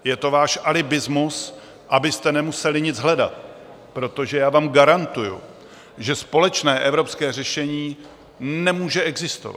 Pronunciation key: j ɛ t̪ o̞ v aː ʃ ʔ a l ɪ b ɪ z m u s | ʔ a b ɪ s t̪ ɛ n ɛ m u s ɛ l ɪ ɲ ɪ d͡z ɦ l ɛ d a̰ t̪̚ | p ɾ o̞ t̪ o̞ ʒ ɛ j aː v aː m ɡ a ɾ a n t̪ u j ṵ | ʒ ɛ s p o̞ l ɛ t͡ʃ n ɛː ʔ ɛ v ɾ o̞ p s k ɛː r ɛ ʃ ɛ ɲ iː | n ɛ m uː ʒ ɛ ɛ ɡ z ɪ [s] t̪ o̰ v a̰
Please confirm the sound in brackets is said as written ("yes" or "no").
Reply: yes